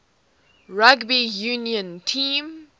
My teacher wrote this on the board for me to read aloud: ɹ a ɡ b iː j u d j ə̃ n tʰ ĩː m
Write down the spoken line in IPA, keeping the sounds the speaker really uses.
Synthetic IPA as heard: ɹ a ɡ b i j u n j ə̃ n tʰ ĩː m